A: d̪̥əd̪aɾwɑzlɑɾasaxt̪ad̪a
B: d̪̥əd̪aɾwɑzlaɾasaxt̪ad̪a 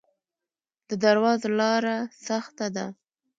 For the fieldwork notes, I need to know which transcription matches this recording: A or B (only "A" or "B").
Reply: A